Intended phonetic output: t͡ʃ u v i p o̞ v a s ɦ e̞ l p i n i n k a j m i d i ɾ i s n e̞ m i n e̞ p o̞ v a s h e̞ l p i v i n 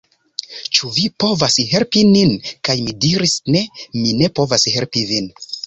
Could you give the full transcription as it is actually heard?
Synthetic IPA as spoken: t͡ʃ u v i p o̞ v a s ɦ e̞ l p i n i n k a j m i d i ɾ i s n e̞ m i n e̞ p o̞ v a s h e̞ l p i v i n

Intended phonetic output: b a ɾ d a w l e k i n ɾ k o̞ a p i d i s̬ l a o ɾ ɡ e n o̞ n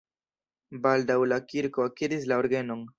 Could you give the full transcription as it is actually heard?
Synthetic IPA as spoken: b a l d a w l a k i ɾ k o̞ a k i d i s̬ l a o ɾ ɡ e n o̞ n

